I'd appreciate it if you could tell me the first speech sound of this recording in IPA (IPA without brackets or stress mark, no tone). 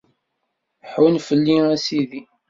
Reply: ħ